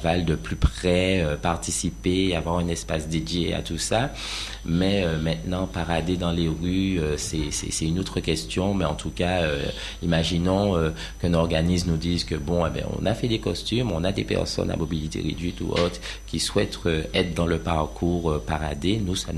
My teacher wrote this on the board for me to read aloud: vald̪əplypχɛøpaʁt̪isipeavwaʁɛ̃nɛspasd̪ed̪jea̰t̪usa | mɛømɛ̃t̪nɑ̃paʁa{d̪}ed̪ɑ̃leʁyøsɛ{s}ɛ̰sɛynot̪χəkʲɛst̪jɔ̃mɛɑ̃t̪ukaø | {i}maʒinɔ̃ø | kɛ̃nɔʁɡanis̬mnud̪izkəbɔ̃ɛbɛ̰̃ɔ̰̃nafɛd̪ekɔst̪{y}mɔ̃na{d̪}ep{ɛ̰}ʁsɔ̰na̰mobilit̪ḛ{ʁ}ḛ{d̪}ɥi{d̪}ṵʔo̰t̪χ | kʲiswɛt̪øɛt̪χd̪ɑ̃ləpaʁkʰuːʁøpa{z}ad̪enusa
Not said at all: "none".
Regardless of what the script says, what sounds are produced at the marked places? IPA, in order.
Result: d̪, s, i, y, d̪, ɛ̰, ʁ, d̪, t̪, ʁ

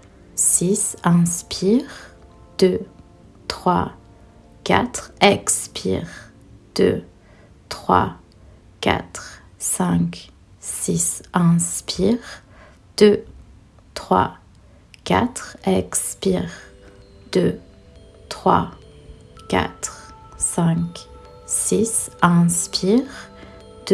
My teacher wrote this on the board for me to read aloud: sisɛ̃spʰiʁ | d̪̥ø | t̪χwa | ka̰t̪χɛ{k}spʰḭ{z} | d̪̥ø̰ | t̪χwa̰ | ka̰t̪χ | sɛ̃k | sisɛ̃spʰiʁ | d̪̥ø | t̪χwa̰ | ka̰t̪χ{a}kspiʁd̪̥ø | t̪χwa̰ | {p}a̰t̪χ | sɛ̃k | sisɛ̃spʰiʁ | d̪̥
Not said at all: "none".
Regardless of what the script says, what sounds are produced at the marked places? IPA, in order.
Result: k, ʁ, ɛ, k

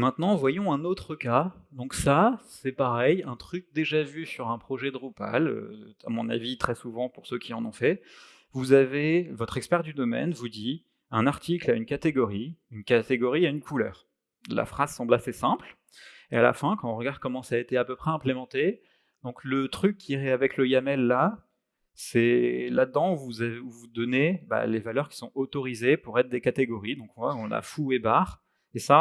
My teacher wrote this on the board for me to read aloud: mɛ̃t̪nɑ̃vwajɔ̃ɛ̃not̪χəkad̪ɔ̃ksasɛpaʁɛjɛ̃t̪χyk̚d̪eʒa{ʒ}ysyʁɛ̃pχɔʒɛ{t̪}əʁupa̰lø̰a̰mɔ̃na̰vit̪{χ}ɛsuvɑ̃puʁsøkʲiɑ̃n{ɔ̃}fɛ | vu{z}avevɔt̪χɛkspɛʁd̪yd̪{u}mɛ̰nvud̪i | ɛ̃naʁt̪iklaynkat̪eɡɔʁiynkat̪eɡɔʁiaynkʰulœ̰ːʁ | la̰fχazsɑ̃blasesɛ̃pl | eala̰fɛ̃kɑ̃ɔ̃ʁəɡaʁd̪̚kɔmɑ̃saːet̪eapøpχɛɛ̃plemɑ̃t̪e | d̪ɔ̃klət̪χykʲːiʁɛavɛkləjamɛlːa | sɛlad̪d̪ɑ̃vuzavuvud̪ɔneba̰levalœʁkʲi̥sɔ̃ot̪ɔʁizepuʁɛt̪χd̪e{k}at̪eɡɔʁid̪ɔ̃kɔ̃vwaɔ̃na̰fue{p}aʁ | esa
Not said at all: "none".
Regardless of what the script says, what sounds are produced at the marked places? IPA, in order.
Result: v, d̪, χ, ɔ̃, z, ɔ, k, b

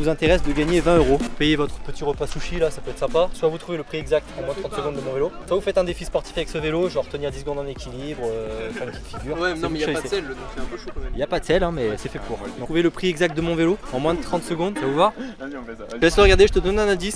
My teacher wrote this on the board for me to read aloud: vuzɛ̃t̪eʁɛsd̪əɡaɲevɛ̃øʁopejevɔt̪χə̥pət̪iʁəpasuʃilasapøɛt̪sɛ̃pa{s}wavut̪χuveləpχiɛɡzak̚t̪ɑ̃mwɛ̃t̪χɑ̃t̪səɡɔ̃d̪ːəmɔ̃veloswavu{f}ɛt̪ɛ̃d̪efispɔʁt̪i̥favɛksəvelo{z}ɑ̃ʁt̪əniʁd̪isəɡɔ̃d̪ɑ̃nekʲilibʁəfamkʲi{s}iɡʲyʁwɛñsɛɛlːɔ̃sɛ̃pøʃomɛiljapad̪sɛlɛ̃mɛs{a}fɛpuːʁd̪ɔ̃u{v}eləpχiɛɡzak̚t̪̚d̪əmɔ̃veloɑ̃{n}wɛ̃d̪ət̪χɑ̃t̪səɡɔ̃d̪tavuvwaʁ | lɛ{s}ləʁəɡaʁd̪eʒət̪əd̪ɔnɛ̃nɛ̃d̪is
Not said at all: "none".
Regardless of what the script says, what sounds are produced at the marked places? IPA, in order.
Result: s, f, ʒ, f, ɛ, v, m, s

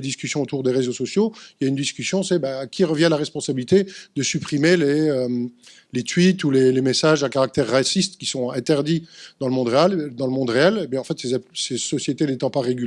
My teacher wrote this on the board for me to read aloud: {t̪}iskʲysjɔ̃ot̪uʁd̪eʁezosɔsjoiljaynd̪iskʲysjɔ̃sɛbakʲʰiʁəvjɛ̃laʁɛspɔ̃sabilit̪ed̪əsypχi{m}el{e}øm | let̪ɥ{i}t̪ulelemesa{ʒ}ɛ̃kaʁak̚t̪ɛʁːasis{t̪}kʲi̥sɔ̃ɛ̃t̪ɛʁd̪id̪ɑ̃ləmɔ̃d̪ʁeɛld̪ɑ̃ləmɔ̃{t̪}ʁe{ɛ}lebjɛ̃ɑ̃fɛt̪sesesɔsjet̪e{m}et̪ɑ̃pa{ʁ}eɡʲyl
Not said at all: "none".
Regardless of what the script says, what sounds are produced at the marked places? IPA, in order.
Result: d̪, m, e, i, ʒ, t̪, d̪, ɛ, n, ʁ

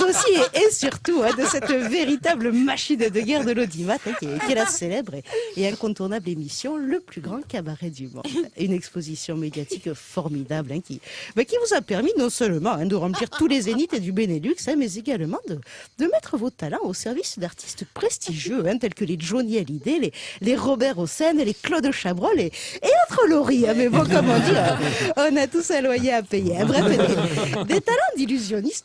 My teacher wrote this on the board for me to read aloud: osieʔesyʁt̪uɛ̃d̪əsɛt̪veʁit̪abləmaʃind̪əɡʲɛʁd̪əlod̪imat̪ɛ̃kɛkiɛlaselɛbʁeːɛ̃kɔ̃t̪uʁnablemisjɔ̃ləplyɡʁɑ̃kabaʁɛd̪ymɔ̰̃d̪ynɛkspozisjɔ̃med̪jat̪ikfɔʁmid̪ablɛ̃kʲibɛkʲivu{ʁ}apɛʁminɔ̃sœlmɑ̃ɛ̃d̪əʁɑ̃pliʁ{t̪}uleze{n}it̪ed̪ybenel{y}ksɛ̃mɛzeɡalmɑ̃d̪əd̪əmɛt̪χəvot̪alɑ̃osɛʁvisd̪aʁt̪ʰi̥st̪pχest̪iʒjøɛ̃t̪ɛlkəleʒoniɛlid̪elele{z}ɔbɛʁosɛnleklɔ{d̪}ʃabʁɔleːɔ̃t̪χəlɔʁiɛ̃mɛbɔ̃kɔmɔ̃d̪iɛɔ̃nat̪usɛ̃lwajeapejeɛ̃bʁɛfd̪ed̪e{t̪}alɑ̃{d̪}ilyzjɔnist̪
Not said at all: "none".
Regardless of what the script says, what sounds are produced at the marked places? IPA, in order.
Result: z, t̪, n, y, ʁ, d̪, t̪, d̪

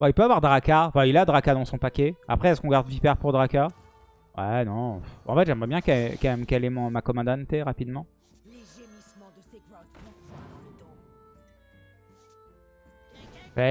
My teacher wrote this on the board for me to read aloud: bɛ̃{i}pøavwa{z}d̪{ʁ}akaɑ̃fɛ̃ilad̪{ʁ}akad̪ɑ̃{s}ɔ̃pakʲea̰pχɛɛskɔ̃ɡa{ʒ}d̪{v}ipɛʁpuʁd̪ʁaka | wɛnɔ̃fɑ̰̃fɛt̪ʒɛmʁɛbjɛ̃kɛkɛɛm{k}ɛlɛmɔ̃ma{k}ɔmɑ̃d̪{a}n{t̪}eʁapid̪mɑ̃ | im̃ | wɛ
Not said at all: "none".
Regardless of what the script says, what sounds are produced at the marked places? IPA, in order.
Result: i, ʁ, ʁ, ʁ, s, ʁ, v, k, k, a, t̪

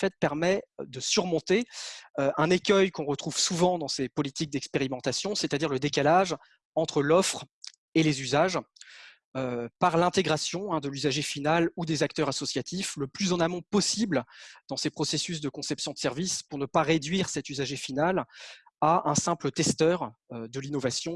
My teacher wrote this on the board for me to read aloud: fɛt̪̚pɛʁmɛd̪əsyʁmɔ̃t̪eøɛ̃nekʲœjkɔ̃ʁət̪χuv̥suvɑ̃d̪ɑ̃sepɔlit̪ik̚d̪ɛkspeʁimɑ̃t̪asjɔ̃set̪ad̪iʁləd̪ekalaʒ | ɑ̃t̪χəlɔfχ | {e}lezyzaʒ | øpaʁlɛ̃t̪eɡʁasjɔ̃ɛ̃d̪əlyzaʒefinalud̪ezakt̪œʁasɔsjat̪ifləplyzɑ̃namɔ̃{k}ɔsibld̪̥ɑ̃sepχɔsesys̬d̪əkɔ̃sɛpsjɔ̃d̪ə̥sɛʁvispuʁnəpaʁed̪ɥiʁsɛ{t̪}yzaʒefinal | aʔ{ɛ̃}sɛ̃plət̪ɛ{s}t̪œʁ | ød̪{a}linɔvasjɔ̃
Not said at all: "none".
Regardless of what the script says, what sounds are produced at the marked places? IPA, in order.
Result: e, p, t̪, ɛ̃, s, ə

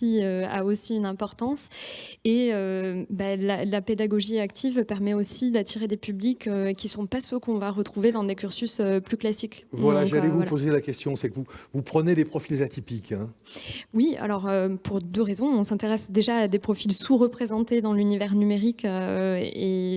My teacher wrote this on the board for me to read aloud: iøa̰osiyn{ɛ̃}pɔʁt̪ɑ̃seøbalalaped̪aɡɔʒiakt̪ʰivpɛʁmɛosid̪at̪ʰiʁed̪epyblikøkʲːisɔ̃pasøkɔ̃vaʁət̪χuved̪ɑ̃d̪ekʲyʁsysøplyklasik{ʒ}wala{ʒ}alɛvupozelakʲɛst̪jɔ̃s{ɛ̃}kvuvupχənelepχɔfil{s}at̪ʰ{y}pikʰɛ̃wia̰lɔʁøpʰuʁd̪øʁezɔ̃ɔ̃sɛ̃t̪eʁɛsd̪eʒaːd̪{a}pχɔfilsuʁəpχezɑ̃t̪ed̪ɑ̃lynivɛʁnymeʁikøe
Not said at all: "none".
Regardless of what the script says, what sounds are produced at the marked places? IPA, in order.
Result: ɛ̃, v, ʒ, ɛ, z, i, e

